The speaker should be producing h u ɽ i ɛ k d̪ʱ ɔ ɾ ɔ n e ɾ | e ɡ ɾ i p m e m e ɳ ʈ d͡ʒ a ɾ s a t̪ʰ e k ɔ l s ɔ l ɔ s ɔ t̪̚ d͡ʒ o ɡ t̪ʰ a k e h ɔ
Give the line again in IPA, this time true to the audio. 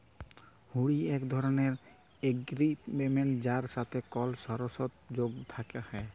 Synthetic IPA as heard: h u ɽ i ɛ k d̪ʱ ɔ ɾ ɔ n e ɾ | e ɡ ɾ i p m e m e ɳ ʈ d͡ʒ a ɾ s a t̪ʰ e k ɔ l s ɔ ɾ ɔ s ɔ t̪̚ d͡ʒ o ɡ t̪ʰ a k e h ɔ